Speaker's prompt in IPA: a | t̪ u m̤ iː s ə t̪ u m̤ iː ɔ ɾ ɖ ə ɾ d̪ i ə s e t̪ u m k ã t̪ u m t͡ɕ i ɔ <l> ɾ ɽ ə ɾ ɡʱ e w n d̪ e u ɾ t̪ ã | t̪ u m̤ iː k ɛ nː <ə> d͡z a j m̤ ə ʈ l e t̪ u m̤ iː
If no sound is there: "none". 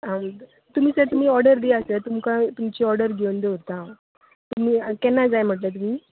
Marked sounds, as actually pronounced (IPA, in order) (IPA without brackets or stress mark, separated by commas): none, a